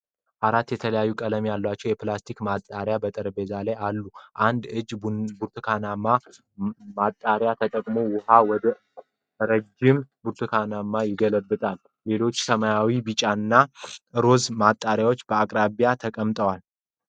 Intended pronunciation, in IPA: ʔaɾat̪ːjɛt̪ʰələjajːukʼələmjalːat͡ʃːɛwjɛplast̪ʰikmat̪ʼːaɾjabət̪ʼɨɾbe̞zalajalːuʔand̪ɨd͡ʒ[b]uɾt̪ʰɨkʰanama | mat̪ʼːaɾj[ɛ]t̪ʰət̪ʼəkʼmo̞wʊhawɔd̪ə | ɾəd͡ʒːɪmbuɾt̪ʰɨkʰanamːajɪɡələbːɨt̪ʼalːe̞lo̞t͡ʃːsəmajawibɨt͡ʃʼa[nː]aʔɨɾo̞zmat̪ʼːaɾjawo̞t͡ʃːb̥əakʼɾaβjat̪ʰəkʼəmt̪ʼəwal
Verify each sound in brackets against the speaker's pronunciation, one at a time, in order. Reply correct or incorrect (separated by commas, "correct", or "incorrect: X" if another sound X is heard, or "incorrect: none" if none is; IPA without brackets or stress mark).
correct, incorrect: a, correct